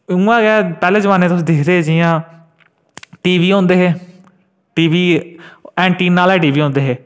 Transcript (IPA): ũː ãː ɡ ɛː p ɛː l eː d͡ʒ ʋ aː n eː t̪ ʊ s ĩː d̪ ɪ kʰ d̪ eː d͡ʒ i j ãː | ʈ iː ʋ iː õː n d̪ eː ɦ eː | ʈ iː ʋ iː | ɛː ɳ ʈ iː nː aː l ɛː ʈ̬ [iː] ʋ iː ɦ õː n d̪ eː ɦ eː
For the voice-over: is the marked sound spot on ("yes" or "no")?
yes